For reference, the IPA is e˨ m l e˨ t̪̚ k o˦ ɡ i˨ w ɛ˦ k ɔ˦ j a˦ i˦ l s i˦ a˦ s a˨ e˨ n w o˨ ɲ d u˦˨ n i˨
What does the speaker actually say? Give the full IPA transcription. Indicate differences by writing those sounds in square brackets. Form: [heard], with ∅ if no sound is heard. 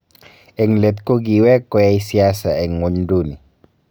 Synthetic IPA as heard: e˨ [ŋ] l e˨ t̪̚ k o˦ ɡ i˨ w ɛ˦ k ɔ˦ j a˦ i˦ [∅] s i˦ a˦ s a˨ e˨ [ŋ] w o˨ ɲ d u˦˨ n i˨